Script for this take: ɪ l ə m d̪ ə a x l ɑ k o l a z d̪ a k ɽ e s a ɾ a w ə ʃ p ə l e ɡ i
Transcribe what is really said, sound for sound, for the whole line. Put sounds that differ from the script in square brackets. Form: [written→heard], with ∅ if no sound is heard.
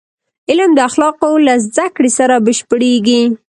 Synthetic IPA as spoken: ɪ l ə m d̪ ə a x l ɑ [k→q] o l a z d̪ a k ɽ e s a ɾ a [w→b] ə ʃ p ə [l→ɽ] e ɡ i